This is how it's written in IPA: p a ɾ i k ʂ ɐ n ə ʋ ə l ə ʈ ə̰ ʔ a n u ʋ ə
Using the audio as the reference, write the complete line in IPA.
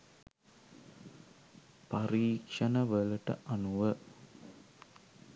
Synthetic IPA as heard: p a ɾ iː k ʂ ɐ n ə ʋ ə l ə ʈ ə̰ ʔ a n u ʋ ə